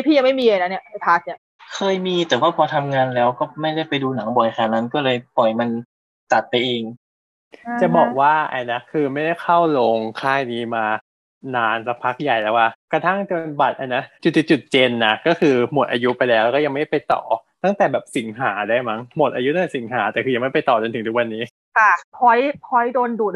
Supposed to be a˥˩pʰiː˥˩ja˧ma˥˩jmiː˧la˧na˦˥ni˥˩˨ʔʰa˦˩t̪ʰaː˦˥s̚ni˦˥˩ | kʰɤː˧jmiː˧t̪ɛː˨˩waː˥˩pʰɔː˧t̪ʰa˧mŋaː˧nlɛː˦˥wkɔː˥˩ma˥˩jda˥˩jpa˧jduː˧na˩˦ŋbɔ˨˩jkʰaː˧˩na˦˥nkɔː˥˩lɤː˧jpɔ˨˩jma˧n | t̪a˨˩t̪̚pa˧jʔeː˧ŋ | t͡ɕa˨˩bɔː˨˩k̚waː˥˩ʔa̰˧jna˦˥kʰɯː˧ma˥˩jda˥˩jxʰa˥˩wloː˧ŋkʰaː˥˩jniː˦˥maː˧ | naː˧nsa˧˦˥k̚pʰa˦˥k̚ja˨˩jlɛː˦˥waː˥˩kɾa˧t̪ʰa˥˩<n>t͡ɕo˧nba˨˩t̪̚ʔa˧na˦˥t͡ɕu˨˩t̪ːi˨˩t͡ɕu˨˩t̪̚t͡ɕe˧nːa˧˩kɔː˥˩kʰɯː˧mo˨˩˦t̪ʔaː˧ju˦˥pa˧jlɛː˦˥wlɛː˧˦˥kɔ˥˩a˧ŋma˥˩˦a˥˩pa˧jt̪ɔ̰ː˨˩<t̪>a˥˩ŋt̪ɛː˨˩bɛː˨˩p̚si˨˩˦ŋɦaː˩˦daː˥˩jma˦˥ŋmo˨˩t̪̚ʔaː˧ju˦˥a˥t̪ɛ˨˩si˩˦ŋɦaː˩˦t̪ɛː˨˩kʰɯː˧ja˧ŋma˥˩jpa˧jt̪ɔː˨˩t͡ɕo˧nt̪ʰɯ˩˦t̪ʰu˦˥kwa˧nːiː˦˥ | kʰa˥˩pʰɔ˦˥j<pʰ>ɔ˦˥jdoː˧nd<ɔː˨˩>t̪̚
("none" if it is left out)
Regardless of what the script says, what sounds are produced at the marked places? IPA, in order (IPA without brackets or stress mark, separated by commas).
ŋ, t̪, pʰ, uː˨˩